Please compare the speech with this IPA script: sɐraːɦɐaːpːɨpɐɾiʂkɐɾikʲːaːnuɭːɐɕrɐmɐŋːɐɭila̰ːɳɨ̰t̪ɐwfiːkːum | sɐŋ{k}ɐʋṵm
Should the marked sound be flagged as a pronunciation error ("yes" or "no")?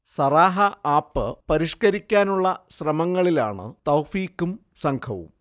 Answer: yes